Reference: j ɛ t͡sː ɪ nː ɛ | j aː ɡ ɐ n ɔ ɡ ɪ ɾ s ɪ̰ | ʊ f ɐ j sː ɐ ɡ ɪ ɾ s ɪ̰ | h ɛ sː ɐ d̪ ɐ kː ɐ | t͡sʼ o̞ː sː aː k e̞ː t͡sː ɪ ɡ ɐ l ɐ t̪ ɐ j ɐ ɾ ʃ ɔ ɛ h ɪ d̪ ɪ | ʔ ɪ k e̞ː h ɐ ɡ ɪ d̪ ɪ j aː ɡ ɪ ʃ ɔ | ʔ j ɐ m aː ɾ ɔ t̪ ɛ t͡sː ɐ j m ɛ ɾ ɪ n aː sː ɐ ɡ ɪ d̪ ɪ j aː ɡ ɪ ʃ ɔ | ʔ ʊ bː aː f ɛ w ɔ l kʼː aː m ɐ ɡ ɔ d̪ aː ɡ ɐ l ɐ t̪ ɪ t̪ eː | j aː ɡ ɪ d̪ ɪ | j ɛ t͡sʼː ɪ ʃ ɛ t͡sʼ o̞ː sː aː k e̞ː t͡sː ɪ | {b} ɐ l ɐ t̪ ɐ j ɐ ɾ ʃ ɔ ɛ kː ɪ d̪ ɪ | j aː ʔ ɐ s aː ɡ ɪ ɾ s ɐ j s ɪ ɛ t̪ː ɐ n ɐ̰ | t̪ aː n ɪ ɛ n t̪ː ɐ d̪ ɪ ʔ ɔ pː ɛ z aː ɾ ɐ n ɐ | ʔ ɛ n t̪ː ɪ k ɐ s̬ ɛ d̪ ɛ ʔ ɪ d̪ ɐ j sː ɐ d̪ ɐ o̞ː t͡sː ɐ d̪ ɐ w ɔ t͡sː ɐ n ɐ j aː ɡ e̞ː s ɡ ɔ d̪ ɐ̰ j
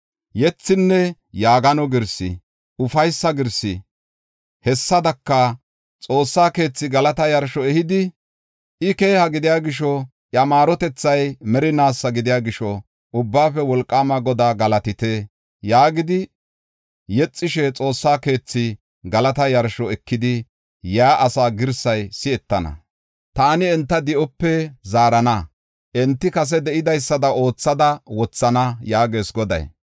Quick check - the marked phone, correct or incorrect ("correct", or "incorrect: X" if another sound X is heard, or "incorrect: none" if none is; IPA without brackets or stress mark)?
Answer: incorrect: ɡ